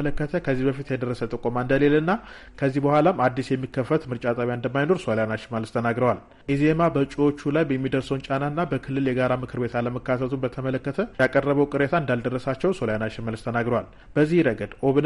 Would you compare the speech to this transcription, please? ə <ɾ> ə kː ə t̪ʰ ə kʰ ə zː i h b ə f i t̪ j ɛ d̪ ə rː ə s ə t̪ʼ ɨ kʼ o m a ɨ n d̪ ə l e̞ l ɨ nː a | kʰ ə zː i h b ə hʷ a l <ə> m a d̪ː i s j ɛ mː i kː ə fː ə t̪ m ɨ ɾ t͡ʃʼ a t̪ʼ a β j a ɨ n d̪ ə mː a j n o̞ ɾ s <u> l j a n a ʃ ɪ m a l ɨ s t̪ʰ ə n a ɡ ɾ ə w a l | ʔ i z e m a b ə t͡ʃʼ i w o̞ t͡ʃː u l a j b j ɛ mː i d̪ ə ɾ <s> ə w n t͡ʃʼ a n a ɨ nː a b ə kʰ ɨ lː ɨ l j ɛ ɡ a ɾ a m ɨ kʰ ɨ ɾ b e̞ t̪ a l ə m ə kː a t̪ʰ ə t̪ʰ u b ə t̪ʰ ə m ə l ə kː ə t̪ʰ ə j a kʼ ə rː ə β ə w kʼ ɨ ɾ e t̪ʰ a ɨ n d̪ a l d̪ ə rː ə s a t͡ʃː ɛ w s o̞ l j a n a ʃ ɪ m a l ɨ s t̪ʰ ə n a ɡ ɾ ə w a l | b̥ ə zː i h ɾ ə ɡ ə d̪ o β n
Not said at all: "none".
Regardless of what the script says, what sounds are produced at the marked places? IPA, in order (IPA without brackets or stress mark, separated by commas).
l, a, o, s